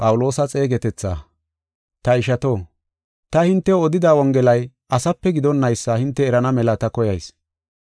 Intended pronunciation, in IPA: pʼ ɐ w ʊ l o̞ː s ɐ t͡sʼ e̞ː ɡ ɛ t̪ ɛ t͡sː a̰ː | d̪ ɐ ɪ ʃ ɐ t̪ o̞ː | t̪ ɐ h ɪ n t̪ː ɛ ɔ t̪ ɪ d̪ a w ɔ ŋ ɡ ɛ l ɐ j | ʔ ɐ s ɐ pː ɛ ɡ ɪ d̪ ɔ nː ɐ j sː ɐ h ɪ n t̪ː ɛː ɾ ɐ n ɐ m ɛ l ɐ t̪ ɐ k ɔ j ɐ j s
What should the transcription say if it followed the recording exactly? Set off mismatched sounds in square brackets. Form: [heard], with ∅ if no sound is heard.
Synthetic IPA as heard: pʼ ɐ w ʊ l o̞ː s ɐ t͡sʼ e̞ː ɡ ɛ t̪ ɛ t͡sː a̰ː | [t̪] ɐ ɪ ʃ ɐ t̪ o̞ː | t̪ ɐ h ɪ n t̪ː ɛ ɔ [d̪] ɪ d̪ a w ɔ ŋ ɡ ɛ l ɐ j | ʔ ɐ s ɐ pː ɛ ɡ ɪ d̪ ɔ nː ɐ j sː ɐ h ɪ n t̪ː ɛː ɾ ɐ n ɐ m ɛ l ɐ t̪ ɐ k ɔ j ɐ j s